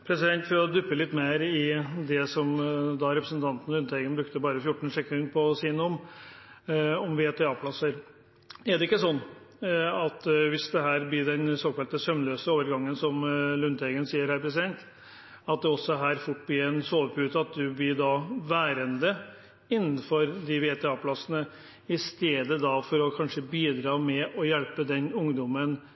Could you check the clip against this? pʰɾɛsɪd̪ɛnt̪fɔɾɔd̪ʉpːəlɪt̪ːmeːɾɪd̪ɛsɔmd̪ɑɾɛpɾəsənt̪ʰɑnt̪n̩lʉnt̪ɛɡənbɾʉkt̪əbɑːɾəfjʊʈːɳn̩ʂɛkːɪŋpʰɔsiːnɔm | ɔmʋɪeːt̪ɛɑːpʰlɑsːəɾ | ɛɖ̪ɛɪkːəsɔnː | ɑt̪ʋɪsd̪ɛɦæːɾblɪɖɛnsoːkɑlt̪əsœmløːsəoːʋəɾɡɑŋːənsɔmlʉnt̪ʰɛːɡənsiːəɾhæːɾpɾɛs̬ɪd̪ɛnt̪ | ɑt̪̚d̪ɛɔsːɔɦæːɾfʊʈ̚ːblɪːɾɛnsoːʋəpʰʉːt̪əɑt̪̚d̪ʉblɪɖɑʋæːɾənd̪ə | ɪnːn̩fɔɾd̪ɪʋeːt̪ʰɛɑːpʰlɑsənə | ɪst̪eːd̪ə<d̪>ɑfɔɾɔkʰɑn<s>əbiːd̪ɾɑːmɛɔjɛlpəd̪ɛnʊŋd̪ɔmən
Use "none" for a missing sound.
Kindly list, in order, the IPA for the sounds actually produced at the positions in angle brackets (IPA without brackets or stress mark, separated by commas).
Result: d̪, ʂ